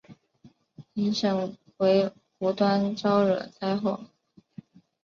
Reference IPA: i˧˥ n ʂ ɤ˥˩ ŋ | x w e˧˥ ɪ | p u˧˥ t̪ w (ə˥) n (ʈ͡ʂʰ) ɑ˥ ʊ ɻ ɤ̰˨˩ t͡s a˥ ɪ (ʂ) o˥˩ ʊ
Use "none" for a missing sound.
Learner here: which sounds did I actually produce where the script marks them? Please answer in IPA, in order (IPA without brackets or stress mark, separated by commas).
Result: a˥, ʈ͡ʂ, x